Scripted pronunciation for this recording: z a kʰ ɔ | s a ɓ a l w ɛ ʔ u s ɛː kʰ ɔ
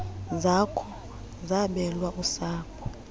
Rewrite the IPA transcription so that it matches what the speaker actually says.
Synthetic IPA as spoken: z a kʰ ɔ | z a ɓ ɛ l w a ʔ u s aː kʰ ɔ